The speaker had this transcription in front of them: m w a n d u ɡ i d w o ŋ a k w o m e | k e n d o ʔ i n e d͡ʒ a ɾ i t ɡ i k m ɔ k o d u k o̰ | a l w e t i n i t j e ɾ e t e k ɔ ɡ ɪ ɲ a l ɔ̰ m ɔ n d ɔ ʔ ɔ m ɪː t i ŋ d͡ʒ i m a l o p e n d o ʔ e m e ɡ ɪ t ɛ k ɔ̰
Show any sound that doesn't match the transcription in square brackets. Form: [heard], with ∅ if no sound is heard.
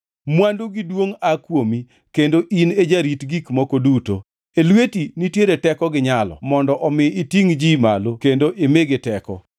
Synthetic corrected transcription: m w a n d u ɡ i d w o ŋ a k w o m [i] | k e n d o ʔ i n e d͡ʒ a ɾ i t ɡ i k m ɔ k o d u [t] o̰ | [e] l w e t i n i t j e ɾ e t [ɛ] k ɔ ɡ ɪ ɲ a l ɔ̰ m ɔ n d ɔ ʔ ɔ m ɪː t i ŋ d͡ʒ i m a l o [k] e n d o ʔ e m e ɡ ɪ t ɛ k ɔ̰